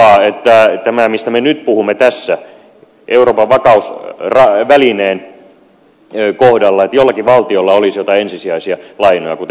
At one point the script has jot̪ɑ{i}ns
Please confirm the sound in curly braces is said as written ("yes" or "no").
no